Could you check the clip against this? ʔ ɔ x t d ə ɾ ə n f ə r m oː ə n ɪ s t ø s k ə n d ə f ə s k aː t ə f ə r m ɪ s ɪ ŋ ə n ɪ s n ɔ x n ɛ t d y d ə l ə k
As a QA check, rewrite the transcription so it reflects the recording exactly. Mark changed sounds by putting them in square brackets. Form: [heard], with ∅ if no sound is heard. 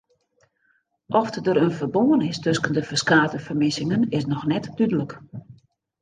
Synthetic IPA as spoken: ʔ ɔ [f] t d ə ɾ ə n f ə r [b] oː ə n ɪ s t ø s k ə n d ə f ə s k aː t ə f ə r m ɪ s ɪ ŋ ə n ɪ s n ɔ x n ɛ t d y d ə l ə k